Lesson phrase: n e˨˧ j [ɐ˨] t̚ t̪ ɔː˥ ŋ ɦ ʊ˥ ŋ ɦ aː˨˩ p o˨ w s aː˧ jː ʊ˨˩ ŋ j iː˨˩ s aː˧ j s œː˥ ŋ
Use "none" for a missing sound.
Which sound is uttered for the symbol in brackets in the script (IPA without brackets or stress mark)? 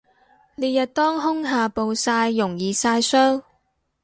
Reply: ɐ˨